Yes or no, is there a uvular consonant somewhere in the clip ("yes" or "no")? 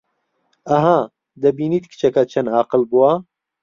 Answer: yes